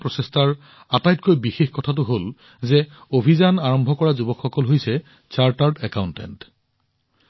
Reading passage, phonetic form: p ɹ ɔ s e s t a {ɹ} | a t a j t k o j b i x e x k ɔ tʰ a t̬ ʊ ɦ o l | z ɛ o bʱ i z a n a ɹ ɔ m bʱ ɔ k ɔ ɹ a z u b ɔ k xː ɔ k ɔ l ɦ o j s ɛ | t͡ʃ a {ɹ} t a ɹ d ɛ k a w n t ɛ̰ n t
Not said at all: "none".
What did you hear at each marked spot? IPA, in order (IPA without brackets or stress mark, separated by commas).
ɹ, ɹ